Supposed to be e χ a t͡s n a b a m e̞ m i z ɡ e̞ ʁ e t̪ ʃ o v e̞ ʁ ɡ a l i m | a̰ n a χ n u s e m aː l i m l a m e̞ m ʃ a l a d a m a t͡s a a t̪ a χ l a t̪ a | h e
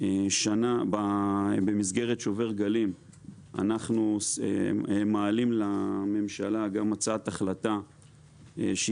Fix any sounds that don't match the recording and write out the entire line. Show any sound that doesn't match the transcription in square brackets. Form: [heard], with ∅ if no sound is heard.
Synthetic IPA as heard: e [ʃ] a [∅] n a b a [b] e̞ m i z ɡ e̞ ʁ e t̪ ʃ o v e̞ ʁ ɡ a l i m | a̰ n a χ n u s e m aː l i m l a m e̞ m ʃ a l a [ɡ] a m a t͡s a a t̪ a χ l a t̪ a | [ʃ] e